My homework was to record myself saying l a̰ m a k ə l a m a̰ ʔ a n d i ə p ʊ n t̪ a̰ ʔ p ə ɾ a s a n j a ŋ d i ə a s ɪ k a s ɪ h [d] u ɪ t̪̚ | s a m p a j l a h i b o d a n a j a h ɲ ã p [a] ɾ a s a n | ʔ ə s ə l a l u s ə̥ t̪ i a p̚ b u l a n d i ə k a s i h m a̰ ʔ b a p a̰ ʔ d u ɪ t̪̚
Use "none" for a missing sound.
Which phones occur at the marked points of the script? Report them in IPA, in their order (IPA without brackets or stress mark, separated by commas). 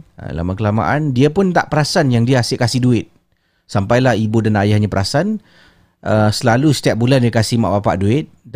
d, ə